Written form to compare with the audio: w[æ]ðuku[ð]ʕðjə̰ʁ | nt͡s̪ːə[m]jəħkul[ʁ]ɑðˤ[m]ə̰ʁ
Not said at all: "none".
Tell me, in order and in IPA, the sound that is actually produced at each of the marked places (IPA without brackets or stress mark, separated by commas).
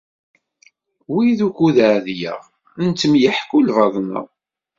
i, ð, m, v, n